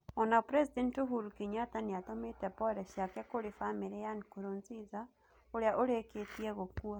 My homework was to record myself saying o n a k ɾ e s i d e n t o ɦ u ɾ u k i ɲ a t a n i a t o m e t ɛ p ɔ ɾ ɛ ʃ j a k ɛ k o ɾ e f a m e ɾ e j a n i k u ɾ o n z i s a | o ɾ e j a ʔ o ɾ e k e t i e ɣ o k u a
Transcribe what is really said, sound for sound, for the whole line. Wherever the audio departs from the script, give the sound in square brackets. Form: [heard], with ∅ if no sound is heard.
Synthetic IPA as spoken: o n a [p] ɾ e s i d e n t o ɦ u ɾ u k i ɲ a t a n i a t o m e t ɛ p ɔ ɾ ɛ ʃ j a k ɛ k o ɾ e f a m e ɾ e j a n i k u ɾ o n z i [z] a | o ɾ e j a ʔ o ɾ e k e t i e ɣ o k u a